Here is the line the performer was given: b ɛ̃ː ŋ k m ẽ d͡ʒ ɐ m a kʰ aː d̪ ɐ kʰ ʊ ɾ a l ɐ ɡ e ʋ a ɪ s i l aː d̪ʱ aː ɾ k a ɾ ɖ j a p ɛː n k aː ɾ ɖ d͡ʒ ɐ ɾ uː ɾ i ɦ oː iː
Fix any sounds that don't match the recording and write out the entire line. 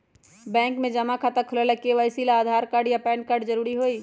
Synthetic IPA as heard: b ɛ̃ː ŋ k m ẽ d͡ʒ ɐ m a kʰ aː t̪ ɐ kʰ ʊ l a l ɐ k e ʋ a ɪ s i l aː d̪ʱ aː ɾ k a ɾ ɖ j a p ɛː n k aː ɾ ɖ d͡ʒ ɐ ɾ uː ɾ i ɦ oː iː